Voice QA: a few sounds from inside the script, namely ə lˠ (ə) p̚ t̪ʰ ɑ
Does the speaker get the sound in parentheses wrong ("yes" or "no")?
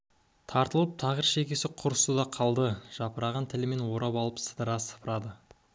no